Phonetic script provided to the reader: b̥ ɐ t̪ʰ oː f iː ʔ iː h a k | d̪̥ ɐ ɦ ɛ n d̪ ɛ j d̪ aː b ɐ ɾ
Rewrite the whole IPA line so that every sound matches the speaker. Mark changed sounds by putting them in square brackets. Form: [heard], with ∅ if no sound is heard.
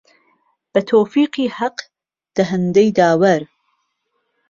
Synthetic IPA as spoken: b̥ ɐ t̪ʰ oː f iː [q] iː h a [q] | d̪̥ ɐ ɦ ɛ n d̪ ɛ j d̪ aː [w] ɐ ɾ